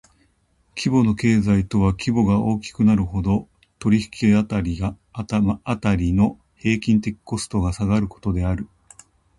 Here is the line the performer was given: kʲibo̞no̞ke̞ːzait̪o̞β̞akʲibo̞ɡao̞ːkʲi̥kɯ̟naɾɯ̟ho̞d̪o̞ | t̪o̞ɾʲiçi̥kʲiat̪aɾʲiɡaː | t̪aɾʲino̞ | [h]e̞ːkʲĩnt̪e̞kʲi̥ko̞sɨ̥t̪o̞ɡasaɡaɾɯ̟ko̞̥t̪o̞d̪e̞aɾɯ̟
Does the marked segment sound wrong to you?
no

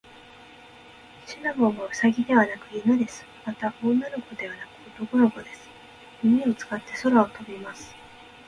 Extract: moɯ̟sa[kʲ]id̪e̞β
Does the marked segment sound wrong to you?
yes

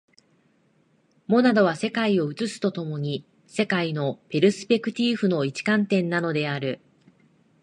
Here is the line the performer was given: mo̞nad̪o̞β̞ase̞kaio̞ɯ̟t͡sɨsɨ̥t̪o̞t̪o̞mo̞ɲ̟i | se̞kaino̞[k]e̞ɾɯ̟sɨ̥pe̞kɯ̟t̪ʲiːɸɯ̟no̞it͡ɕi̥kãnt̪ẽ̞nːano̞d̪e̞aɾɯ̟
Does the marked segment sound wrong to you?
yes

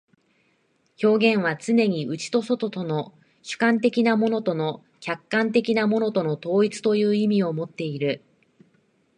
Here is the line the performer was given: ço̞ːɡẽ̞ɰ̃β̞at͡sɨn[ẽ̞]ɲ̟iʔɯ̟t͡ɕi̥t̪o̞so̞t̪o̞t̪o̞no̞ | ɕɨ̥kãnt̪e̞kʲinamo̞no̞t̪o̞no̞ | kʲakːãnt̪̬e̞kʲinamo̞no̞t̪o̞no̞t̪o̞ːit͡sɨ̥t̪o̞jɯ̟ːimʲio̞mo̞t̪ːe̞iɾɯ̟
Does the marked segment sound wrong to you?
yes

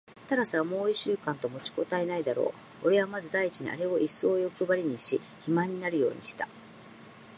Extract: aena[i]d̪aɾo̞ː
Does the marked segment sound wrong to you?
no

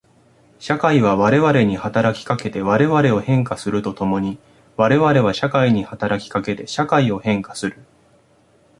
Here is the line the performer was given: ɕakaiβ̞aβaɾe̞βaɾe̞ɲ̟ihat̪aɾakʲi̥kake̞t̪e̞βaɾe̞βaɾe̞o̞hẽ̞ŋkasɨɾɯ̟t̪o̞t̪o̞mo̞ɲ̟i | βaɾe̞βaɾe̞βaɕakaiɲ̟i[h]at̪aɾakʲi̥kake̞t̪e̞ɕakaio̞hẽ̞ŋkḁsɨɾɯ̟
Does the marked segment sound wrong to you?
no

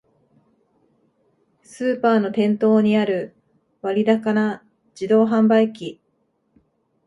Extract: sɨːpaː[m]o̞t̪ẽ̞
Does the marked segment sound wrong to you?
yes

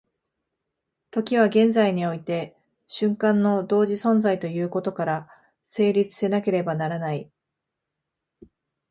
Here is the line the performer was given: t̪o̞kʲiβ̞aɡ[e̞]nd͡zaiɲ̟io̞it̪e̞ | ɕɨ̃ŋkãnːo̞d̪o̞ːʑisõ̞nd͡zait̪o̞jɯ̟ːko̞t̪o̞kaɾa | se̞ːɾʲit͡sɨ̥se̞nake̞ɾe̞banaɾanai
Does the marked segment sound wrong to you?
yes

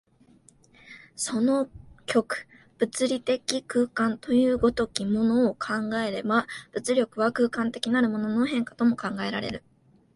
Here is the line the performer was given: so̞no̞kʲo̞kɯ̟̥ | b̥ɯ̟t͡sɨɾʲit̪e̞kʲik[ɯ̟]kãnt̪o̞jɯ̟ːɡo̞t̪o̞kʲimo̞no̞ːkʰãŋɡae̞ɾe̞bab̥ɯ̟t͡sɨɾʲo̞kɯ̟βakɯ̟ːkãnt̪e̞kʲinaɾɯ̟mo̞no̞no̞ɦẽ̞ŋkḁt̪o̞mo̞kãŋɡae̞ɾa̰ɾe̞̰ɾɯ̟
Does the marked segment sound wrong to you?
yes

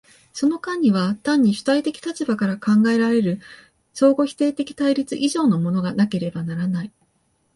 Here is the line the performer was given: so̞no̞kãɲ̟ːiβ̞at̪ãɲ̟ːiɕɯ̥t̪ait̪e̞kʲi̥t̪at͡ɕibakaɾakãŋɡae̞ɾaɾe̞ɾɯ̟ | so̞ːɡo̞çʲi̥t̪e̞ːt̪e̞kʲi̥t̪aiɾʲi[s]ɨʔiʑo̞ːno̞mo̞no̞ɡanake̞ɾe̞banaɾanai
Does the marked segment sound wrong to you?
yes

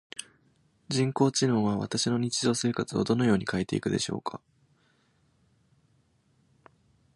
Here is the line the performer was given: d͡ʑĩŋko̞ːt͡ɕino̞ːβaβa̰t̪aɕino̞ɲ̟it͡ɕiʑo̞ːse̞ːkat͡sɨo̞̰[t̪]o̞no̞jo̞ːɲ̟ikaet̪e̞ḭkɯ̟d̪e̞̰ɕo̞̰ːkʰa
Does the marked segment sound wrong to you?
yes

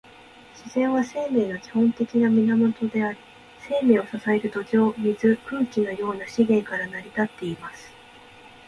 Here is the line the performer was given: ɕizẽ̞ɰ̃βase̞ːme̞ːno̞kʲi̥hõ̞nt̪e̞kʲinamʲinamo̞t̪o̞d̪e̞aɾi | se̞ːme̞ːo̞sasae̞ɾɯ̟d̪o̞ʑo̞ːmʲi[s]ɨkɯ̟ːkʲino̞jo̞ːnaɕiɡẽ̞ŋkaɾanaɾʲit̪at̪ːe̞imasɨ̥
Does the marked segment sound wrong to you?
yes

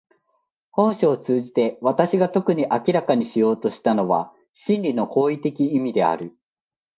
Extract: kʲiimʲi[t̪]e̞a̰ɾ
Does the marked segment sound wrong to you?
yes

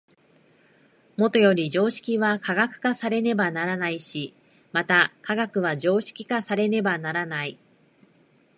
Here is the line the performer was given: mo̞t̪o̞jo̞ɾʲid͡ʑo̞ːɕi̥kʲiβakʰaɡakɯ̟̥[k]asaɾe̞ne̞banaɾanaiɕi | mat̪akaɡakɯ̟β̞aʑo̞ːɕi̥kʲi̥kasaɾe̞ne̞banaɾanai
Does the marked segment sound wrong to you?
no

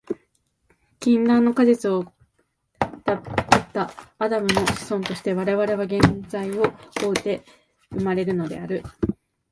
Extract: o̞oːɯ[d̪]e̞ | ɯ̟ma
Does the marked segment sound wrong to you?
yes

